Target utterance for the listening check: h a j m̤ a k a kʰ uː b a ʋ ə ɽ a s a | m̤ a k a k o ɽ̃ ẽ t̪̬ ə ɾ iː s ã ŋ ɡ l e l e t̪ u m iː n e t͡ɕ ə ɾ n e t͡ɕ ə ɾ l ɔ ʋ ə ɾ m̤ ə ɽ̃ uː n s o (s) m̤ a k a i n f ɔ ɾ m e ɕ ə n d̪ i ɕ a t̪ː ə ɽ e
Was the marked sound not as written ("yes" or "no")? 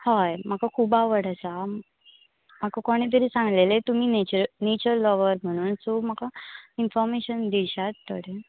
yes